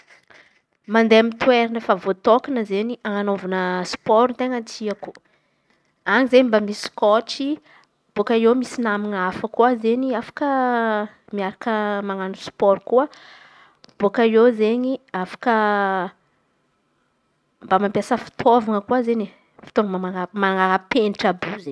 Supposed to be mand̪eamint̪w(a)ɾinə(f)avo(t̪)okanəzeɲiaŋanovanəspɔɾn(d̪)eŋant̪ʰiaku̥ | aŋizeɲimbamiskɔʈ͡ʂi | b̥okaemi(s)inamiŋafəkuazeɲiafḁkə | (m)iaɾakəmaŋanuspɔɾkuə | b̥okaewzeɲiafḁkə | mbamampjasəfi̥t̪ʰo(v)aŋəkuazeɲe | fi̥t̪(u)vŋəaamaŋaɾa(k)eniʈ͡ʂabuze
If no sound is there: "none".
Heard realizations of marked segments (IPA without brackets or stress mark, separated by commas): e, f, t̪, t̪, s, m, v, o, p